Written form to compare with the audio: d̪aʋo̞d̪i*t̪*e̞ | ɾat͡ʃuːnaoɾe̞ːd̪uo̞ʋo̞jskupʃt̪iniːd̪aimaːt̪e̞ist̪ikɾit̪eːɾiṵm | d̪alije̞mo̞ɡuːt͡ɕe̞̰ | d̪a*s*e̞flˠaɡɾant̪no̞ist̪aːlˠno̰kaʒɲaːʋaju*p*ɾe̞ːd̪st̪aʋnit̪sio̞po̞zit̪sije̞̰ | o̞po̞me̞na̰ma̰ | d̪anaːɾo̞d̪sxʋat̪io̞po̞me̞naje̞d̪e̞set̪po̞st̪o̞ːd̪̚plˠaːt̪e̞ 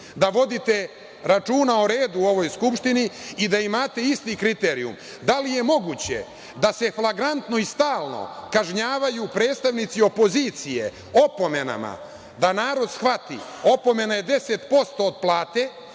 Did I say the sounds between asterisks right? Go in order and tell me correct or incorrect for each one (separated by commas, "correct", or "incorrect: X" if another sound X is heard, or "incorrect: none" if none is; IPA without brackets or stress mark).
correct, correct, correct